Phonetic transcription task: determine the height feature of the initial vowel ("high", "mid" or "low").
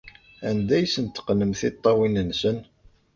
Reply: low